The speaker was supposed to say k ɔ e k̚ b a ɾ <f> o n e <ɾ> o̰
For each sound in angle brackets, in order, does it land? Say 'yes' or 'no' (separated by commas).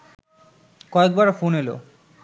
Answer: yes, no